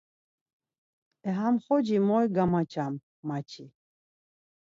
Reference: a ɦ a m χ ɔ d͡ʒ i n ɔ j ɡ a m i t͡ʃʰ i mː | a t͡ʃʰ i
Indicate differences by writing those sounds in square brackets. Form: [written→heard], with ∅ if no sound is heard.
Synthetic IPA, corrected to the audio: [a→ɛ] ɦ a m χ ɔ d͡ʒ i [n→m] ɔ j ɡ a m [i→a] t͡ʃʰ [i→a] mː | a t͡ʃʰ i